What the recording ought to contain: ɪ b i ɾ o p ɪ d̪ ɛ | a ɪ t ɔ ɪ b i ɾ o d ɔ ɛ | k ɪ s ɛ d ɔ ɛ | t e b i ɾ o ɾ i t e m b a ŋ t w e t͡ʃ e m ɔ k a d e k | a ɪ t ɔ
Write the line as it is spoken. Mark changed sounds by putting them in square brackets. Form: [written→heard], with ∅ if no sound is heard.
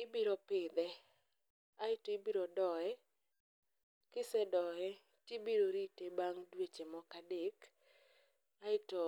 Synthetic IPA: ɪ b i ɾ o p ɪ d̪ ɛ | a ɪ t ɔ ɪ b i ɾ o d ɔ ɛ | k ɪ s ɛ d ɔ ɛ | t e b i ɾ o ɾ i t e [m→∅] b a ŋ [t→d] w e t͡ʃ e m ɔ k a d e k | a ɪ t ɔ